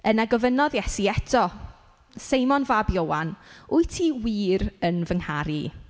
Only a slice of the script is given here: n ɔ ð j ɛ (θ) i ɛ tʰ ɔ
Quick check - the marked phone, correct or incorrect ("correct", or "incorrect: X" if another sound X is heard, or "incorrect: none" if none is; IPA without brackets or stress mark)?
incorrect: s